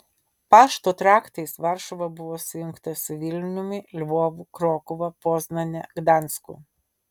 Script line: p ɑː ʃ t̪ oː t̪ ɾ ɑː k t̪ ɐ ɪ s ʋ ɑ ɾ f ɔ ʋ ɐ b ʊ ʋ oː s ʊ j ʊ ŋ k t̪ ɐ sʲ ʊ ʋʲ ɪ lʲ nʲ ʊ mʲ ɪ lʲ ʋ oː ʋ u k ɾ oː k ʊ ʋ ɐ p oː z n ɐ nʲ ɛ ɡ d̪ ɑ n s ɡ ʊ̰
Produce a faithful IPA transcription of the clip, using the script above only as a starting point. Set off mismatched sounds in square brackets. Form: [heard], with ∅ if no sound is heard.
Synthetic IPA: p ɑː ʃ t̪ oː t̪ ɾ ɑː k t̪ ɐ ɪ s ʋ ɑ ɾ [ʃ] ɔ ʋ ɐ b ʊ ʋ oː s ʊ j ʊ ŋ k t̪ ɐ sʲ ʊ ʋʲ ɪ lʲ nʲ ʊ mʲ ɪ lʲ ʋ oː ʋ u k ɾ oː k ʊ ʋ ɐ p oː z n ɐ nʲ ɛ ɡ d̪ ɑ n s [k] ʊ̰

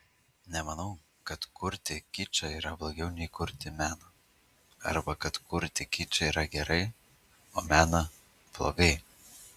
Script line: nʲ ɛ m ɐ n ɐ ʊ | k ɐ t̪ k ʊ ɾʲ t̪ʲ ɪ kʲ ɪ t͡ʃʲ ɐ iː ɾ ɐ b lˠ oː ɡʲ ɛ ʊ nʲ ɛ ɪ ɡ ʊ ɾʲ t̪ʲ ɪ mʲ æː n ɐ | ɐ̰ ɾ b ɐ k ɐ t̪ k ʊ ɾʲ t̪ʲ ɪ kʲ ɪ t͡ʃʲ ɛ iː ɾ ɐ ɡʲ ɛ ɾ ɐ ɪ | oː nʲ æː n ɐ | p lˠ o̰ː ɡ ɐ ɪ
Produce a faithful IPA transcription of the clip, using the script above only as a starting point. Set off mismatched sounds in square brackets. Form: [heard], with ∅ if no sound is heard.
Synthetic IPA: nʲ ɛ m ɐ n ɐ ʊ | k ɐ t̪ k ʊ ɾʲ t̪ʲ ɪ kʲ ɪ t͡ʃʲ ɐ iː ɾ ɐ b lˠ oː ɡʲ ɛ ʊ nʲ ɛ ɪ [k] ʊ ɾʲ t̪ʲ ɪ mʲ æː n ɐ | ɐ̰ ɾ b ɐ k ɐ t̪ k ʊ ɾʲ t̪ʲ ɪ kʲ ɪ t͡ʃʲ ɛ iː ɾ ɐ ɡʲ ɛ ɾ ɐ ɪ | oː [mʲ] æː n ɐ | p lˠ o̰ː ɡ ɐ ɪ

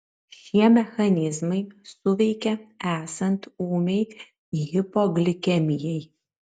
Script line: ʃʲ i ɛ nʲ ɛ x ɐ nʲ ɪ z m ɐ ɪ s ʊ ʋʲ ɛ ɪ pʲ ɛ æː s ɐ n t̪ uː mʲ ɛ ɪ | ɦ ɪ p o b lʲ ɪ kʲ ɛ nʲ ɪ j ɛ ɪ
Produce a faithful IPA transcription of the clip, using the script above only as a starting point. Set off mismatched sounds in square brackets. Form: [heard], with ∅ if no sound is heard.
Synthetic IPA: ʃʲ i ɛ [mʲ] ɛ x ɐ nʲ ɪ z m ɐ ɪ s ʊ ʋʲ ɛ ɪ [kʲ] ɛ æː s ɐ n t̪ uː mʲ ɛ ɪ | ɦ ɪ p o [ɡ] lʲ ɪ kʲ ɛ [mʲ] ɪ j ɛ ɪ

